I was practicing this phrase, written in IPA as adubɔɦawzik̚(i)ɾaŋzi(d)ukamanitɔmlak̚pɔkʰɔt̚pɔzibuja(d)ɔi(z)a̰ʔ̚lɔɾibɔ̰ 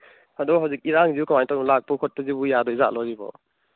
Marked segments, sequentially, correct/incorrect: correct, incorrect: none, correct, correct

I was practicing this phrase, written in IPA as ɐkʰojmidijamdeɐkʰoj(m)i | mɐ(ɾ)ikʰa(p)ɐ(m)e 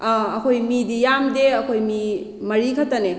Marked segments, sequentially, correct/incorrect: correct, correct, incorrect: t, incorrect: n

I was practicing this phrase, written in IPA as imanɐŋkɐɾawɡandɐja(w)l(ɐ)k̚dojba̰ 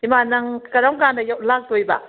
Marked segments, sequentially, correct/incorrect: correct, incorrect: a

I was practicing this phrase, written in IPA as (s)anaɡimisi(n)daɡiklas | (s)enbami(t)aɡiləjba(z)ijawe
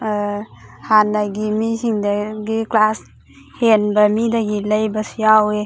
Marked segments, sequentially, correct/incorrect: incorrect: h, incorrect: ŋ, incorrect: h, incorrect: d, incorrect: s

